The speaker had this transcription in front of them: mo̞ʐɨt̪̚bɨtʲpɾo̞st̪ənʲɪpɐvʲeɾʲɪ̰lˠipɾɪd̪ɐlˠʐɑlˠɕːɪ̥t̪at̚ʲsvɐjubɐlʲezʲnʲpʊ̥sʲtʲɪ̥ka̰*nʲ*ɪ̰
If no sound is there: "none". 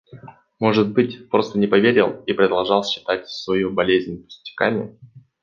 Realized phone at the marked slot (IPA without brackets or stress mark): mʲ